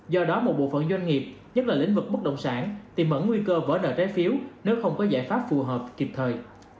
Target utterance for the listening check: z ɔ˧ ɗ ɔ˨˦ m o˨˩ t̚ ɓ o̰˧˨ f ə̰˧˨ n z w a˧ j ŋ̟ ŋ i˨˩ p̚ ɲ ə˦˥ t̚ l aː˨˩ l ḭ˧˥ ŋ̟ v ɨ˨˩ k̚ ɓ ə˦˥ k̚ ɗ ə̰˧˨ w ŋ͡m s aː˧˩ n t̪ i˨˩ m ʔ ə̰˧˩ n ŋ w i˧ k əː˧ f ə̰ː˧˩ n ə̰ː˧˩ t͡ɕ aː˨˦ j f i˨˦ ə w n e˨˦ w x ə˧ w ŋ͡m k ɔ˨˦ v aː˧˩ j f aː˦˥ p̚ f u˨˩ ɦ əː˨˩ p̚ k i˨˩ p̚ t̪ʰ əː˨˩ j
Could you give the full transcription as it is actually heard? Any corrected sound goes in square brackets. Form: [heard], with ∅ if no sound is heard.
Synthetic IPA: z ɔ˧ ɗ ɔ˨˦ m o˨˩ t̚ ɓ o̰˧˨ f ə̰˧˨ n z w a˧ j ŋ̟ ŋ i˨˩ p̚ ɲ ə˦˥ t̚ l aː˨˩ l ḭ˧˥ ŋ̟ v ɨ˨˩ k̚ ɓ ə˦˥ k̚ ɗ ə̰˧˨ w ŋ͡m s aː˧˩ n t̪ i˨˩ m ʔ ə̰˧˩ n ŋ w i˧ k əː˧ [v] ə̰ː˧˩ n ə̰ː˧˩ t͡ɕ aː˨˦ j f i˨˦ ə w n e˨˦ w x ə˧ w ŋ͡m k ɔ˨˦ [z] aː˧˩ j f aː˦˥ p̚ f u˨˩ ɦ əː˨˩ p̚ k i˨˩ p̚ t̪ʰ əː˨˩ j